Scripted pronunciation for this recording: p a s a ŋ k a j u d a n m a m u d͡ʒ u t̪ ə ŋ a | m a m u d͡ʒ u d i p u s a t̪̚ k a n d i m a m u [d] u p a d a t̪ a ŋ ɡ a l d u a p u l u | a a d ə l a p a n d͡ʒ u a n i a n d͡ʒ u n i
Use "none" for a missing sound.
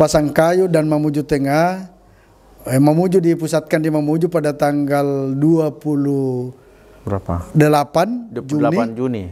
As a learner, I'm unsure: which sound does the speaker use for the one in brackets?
d͡ʒ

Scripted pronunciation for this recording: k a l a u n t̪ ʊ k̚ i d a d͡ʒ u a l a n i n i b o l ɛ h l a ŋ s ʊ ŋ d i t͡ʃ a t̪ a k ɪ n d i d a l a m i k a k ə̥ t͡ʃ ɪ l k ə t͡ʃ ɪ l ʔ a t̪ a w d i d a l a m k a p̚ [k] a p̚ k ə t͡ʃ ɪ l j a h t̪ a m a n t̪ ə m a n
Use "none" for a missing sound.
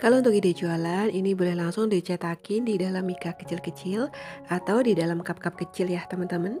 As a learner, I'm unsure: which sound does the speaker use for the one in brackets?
k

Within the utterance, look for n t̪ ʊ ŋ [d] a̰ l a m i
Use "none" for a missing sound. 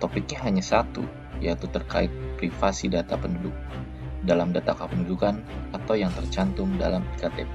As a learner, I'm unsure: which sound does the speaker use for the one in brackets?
d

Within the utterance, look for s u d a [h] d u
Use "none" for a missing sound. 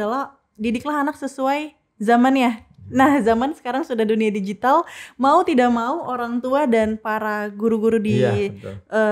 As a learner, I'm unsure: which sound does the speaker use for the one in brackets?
h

